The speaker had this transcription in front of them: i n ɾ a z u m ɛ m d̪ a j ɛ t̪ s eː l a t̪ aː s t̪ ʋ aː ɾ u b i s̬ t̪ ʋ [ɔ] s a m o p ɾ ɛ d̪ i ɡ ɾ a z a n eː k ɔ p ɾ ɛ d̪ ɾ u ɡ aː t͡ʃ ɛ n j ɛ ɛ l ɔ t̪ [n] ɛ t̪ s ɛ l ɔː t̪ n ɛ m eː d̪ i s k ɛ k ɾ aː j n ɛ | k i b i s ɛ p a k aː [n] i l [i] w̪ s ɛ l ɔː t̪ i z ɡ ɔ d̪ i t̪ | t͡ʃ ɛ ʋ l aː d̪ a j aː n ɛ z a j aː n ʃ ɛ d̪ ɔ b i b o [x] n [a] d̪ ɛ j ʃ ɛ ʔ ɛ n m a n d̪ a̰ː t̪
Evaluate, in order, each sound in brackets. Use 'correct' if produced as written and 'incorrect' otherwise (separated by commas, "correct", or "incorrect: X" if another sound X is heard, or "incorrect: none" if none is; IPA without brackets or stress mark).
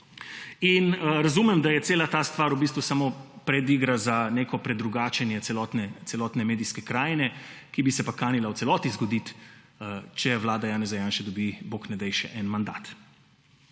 incorrect: u, correct, correct, incorrect: a, incorrect: k, incorrect: ɛ